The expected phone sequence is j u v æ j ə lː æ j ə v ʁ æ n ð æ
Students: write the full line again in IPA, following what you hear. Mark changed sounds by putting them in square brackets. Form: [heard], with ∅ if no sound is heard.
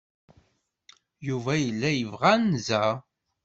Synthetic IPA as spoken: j u v æ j ə lː æ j ə v ʁ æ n [z] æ